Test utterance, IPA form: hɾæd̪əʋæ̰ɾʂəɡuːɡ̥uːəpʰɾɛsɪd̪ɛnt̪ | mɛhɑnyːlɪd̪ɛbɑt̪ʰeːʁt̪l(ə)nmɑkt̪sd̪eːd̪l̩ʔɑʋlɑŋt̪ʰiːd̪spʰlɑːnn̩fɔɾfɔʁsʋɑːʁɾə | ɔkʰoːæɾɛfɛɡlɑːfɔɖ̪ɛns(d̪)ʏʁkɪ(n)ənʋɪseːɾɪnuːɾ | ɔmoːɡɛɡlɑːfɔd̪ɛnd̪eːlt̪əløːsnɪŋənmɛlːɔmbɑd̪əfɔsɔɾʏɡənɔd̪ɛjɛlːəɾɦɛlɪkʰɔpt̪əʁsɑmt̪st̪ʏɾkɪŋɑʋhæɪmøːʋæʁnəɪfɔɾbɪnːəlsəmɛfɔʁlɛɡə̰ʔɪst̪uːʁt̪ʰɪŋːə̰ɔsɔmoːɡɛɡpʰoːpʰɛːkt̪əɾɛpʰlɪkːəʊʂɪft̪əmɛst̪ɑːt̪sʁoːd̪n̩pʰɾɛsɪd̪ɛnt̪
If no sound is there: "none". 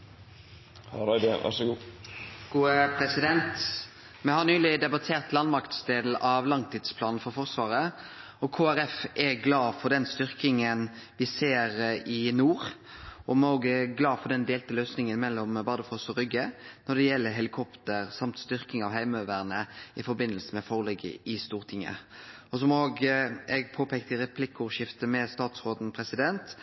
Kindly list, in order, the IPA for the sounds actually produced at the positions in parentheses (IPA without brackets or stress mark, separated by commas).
ɑ, t̪, ŋ